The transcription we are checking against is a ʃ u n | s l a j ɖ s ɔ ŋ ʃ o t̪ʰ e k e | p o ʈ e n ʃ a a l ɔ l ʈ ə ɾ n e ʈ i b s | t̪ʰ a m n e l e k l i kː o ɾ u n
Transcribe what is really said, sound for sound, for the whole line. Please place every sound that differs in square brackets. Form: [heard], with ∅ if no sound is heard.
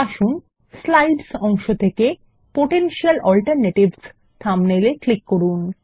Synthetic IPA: a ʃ u n | s l a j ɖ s ɔ ŋ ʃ o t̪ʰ e k e | p o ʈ e n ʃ [i] a l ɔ l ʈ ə ɾ n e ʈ i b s | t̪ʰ a m n e l e k l i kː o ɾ u n